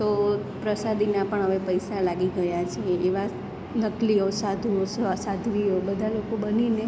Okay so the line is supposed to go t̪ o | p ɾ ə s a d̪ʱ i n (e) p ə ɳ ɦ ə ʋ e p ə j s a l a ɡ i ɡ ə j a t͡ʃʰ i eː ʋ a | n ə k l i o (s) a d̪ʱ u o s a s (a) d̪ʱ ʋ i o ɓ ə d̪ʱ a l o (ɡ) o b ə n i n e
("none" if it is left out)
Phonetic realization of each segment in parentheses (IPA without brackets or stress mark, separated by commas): a, s, a, k